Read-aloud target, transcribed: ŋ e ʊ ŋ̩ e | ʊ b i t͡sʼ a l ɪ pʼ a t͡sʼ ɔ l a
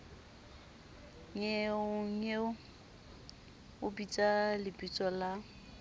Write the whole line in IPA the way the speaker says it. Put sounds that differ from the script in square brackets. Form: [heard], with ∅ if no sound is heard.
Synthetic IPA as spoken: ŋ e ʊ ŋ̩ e | ʊ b i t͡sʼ a l ɪ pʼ [i] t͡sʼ ɔ l a